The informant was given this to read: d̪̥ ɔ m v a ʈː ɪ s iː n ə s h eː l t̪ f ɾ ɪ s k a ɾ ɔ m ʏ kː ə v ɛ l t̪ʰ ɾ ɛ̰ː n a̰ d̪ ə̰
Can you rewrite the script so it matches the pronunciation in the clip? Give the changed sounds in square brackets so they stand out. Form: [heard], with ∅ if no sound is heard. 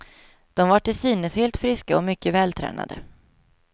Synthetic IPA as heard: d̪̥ ɔ m v a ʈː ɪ s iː n ə s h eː l t̪ f ɾ ɪ s k a [∅] ɔ m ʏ kː ə v [ɛː] l t̪ʰ ɾ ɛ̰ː n a̰ d̪ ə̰